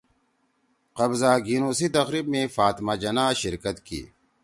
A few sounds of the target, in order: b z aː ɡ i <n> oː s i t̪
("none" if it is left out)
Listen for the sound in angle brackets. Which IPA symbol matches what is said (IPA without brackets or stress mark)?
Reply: n